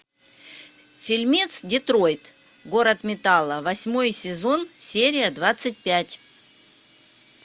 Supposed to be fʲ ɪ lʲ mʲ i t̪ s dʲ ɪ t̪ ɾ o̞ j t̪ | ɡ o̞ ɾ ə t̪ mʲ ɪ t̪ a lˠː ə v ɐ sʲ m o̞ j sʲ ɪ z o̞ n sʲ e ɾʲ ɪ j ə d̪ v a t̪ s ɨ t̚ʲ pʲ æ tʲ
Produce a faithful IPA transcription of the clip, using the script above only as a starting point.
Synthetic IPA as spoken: fʲ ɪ lʲ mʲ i t̪ s dʲ ɪ t̪ ɾ o̞ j t̪ | ɡ o̞ ɾ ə t̪ mʲ ɪ t̪ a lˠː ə v ɐ sʲ m o̞ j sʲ ɪ z o̞ n sʲ e ɾʲ ɪ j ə d̪ v a t̪ s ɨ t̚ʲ pʲ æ tʲ